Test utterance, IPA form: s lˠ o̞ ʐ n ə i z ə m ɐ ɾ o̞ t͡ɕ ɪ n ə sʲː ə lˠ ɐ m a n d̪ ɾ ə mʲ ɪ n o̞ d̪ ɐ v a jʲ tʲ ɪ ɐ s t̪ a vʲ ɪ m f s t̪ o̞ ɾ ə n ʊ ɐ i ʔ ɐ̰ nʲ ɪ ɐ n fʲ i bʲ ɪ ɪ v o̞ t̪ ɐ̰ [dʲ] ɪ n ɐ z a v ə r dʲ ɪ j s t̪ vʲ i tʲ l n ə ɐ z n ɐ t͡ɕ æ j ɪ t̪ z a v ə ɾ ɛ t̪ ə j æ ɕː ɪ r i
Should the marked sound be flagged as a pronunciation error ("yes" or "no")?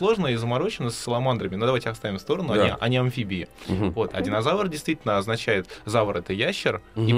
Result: no